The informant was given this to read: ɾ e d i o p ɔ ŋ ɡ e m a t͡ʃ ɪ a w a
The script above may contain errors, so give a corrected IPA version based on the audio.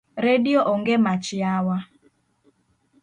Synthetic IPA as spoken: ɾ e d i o ʔ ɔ ŋ ɡ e m a t͡ʃ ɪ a w a